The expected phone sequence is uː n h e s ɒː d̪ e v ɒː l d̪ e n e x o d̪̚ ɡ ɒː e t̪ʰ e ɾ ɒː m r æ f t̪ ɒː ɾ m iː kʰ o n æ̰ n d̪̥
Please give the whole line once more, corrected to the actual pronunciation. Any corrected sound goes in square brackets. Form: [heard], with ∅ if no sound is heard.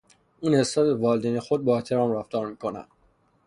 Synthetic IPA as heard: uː n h e s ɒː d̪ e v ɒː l d̪ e n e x o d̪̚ [b] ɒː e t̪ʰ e ɾ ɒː m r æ f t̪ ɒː ɾ m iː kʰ o n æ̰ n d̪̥